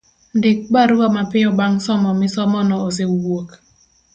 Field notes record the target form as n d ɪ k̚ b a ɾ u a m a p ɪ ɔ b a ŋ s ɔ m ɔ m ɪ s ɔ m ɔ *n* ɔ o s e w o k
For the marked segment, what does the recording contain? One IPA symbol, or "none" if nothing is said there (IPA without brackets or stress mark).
n